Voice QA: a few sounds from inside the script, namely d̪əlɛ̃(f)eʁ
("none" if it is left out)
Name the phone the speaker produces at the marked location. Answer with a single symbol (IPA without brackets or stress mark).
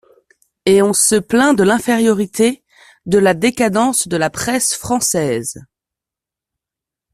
f